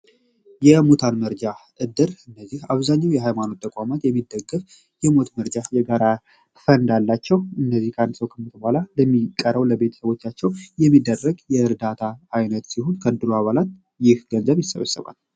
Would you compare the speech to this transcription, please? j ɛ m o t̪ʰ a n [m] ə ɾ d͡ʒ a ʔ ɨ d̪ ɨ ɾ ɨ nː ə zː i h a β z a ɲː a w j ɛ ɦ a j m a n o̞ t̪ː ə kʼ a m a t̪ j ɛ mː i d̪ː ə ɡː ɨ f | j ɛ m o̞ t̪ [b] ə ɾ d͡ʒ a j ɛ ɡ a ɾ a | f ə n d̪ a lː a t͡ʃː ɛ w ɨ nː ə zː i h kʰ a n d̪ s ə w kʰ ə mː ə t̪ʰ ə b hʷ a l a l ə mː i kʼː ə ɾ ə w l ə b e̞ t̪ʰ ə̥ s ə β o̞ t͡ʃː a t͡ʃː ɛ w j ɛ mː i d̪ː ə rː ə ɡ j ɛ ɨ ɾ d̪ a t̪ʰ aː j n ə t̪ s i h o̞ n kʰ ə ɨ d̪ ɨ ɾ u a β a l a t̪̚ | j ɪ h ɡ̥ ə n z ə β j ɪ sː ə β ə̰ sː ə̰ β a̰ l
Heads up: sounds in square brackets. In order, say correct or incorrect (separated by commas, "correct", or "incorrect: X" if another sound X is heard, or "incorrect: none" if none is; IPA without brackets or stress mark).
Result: correct, incorrect: m